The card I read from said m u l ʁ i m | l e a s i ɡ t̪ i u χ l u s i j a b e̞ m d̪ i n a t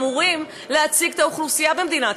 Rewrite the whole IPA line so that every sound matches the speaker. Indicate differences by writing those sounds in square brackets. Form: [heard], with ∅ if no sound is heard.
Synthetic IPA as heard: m u [∅] ʁ i m | l e a [t͡s] i ɡ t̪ [a] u χ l u s i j a b e̞ m d̪ i n a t